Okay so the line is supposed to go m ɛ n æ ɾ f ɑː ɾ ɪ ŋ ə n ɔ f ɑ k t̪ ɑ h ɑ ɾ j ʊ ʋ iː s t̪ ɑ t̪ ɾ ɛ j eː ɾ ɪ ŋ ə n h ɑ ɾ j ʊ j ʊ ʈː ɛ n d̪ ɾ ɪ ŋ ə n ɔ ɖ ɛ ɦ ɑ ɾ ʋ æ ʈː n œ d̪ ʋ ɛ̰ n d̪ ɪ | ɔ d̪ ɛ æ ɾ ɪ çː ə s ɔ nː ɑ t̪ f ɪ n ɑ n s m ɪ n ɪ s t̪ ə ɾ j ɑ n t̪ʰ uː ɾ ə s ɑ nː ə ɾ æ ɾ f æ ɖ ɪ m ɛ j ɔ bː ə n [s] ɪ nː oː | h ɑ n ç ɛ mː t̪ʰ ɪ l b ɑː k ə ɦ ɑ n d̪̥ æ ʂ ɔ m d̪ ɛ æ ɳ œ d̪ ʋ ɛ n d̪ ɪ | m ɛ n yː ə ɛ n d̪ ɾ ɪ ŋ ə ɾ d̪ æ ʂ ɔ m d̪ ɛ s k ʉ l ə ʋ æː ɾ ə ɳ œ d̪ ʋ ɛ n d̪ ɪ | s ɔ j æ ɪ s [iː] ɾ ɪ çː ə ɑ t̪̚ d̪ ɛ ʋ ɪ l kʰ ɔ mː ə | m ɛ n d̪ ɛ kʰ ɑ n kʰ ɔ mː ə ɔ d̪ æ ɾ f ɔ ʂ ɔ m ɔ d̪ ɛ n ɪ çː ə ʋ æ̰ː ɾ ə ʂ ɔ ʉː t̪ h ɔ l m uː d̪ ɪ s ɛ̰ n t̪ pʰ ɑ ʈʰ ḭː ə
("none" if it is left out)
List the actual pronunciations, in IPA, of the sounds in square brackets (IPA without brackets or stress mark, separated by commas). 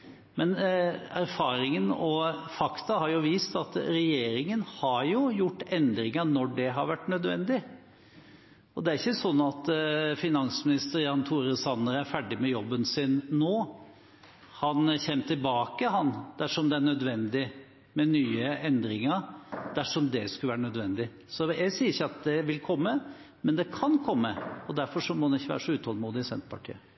s, iː